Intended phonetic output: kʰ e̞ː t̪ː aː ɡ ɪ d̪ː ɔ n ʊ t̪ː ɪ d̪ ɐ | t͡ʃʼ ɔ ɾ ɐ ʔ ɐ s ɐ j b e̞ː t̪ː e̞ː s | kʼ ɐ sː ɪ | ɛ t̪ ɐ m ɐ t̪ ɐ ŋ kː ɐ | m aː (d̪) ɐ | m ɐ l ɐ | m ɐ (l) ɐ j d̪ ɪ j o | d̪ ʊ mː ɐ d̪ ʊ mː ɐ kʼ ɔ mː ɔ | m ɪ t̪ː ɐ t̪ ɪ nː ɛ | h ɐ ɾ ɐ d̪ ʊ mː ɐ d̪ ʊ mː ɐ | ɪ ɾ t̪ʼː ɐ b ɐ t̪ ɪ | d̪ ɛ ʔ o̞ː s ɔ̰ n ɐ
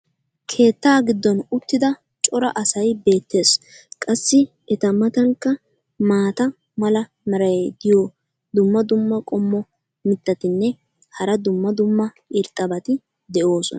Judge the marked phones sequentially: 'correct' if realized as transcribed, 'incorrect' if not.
incorrect: t̪, incorrect: ɾ

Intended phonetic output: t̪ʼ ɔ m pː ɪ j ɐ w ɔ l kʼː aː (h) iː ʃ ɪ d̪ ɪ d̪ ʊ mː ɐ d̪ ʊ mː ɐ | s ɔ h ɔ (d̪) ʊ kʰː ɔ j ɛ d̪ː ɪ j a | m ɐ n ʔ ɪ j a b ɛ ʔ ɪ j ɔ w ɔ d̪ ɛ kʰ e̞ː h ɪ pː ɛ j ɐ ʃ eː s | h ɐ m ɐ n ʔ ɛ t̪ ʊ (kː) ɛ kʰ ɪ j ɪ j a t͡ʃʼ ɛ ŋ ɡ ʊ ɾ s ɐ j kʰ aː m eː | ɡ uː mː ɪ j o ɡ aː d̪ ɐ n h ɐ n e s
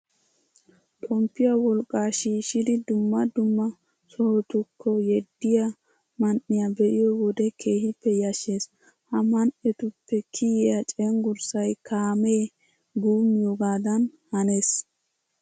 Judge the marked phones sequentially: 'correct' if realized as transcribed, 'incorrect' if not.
incorrect: ʃ, incorrect: t̪, incorrect: pː

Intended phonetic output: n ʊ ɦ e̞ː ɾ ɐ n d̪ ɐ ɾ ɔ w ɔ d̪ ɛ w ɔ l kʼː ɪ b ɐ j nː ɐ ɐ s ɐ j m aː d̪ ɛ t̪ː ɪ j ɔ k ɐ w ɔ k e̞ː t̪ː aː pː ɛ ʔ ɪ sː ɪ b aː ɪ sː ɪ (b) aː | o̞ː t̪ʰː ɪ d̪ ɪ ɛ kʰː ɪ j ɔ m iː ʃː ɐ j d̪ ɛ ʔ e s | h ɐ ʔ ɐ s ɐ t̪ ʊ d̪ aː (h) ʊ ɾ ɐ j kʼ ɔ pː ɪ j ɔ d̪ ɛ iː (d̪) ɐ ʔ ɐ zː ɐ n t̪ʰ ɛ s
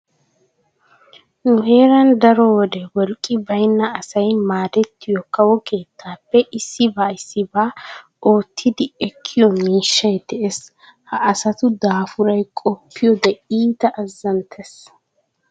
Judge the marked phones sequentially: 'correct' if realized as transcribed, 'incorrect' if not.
correct, incorrect: f, incorrect: t̪

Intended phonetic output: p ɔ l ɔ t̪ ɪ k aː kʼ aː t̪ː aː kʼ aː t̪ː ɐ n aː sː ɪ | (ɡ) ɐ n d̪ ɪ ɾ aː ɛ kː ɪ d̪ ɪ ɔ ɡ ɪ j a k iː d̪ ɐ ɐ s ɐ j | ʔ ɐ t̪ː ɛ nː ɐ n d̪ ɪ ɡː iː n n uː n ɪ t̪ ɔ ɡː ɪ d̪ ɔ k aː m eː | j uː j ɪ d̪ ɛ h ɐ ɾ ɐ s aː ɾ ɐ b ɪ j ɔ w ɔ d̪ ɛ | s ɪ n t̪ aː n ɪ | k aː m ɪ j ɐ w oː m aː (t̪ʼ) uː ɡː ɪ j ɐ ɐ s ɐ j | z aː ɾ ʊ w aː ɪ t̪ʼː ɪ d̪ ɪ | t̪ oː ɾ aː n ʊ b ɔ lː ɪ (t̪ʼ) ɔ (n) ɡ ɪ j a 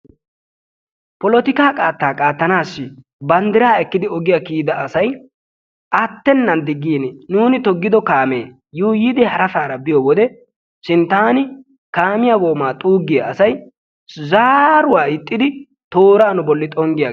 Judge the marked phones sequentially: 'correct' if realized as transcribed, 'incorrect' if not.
incorrect: b, correct, correct, incorrect: ŋ

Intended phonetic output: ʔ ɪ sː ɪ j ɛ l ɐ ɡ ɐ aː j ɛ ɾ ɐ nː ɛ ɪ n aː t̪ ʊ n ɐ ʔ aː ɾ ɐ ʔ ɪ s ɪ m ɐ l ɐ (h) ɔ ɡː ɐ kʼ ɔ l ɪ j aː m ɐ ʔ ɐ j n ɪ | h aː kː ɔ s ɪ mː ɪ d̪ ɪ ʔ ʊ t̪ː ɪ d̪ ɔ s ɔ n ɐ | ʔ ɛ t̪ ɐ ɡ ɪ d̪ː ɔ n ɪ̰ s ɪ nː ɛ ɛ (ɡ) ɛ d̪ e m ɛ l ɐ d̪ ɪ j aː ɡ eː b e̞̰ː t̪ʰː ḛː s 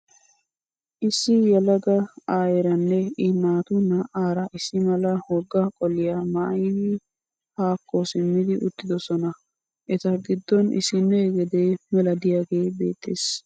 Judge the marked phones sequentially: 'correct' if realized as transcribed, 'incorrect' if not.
correct, correct

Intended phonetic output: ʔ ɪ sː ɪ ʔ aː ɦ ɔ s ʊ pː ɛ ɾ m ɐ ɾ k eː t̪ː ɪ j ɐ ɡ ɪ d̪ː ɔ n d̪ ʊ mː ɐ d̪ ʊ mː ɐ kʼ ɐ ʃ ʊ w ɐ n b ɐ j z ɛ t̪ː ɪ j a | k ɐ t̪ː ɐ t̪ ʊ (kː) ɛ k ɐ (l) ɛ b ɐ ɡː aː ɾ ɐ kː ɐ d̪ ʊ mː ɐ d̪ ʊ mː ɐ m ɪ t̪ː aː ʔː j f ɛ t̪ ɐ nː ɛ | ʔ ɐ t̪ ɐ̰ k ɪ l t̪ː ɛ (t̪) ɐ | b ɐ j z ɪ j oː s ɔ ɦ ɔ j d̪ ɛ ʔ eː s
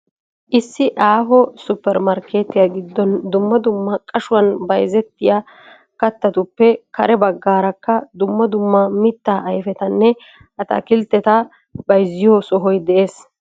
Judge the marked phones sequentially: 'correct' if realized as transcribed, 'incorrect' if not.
incorrect: pː, incorrect: ɾ, correct

